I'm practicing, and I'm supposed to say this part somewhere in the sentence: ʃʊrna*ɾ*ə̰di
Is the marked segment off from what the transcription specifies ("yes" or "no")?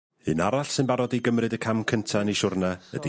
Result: yes